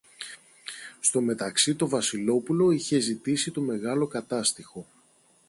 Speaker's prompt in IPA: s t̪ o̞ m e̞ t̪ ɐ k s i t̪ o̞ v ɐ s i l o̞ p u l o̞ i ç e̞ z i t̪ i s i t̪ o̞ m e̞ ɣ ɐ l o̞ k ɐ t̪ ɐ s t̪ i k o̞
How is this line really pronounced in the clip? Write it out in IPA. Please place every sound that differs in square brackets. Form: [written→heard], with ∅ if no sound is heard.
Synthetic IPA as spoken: s t̪ o̞ m e̞ t̪ ɐ k s i t̪ o̞ v ɐ s i l o̞ p u l o̞ i ç e̞ z i t̪ i s i t̪ o̞ m e̞ ɣ ɐ l o̞ k ɐ t̪ ɐ s t̪ i [k→x] o̞